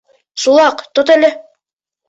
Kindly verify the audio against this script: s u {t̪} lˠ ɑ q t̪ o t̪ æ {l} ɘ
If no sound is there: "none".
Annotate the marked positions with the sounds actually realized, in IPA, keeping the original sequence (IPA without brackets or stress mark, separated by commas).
none, l